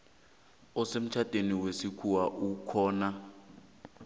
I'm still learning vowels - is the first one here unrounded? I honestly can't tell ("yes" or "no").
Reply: no